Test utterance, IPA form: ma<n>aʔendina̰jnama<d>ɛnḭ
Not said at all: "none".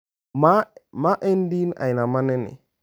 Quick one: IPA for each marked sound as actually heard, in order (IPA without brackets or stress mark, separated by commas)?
m, n